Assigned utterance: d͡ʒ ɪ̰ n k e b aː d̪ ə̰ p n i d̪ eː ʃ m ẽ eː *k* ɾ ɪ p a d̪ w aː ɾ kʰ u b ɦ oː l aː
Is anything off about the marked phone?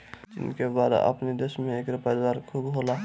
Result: no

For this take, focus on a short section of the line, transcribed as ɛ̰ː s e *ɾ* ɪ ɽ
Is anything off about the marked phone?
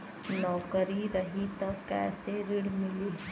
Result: no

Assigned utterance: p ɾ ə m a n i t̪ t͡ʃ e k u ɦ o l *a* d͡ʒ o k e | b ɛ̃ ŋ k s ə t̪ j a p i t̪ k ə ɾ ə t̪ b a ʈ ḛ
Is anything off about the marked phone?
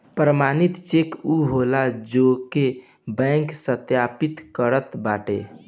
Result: no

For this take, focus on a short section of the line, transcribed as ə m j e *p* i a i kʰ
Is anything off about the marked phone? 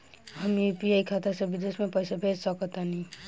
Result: no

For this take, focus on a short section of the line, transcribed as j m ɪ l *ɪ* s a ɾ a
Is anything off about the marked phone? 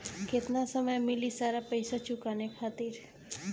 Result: yes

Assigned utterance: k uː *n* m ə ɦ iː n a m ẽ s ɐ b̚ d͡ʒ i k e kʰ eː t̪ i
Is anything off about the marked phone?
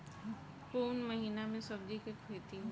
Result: no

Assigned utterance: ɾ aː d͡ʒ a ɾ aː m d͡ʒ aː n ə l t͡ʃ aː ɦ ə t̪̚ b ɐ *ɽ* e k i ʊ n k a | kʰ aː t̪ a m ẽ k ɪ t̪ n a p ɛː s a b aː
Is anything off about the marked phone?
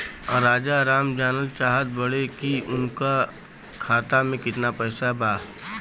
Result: no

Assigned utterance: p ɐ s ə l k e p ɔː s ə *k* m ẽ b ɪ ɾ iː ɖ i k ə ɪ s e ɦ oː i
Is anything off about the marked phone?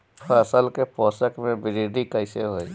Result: no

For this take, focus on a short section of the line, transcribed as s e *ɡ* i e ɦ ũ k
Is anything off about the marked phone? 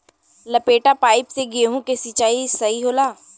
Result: no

